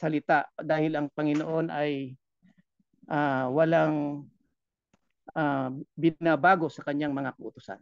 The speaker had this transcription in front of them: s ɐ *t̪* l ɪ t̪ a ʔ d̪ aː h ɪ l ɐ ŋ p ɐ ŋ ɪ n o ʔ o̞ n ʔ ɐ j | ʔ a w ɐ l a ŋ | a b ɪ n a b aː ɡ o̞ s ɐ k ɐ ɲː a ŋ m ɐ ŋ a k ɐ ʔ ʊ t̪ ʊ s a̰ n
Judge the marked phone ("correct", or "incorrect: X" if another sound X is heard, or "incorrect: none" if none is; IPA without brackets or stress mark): incorrect: none